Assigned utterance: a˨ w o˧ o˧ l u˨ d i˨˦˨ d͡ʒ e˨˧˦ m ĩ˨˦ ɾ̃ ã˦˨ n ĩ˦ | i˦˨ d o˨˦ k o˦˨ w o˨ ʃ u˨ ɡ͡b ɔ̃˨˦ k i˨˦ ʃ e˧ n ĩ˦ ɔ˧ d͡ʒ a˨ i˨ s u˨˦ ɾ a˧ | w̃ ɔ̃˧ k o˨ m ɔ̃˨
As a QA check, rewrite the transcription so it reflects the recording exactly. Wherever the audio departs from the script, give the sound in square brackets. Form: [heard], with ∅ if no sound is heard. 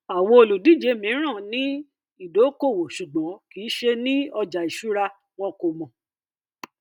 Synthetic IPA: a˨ w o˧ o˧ l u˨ d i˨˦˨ d͡ʒ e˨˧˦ m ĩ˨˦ ɾ̃ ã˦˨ n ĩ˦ | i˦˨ d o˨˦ k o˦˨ w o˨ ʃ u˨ ɡ͡b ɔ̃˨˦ k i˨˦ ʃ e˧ n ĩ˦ ɔ˧ d͡ʒ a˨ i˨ [ʃ] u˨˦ ɾ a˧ | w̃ ɔ̃˧ k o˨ m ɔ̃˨